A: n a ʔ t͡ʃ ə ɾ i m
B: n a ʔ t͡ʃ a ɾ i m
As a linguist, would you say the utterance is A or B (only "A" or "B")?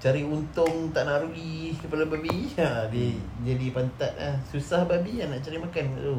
B